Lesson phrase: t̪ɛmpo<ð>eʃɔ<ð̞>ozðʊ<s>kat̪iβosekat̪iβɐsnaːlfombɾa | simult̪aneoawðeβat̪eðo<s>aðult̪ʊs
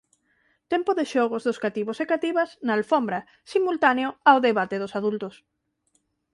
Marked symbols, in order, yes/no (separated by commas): yes, no, yes, yes